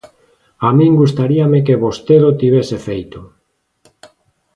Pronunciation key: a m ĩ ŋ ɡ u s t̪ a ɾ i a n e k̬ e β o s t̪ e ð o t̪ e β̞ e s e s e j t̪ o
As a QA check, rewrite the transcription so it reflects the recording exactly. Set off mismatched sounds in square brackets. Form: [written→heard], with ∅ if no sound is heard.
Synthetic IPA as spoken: a m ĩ ŋ ɡ u s t̪ a ɾ i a [n→m] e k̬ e β o s t̪ e ð o t̪ [e→i] β̞ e s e [s→f] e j t̪ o